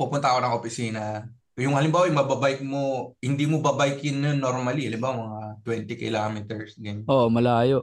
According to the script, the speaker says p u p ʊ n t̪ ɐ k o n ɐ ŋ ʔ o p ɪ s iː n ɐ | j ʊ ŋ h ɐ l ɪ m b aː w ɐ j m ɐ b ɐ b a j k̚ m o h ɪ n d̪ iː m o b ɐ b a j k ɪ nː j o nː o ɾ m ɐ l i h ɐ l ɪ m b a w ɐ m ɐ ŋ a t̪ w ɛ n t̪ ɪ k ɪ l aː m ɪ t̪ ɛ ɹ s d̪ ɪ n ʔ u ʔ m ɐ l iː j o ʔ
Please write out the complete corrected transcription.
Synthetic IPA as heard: p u p ʊ n t̪ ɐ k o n ɐ ŋ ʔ o p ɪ s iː n ɐ | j ʊ ŋ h ɐ l ɪ m b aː w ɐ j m ɐ b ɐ b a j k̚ m o h ɪ n d̪ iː m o b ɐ b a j k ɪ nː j o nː o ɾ m ɐ l i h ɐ l ɪ m b a w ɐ m ɐ ŋ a t̪ w ɛ n t̪ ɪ k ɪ l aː m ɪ t̪ ɛ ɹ s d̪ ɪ n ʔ o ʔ m ɐ l aː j o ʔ